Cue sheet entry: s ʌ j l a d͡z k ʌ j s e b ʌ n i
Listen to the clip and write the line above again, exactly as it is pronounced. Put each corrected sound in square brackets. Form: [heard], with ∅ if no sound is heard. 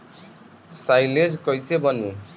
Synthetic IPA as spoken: s [a] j l [e] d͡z k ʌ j s e b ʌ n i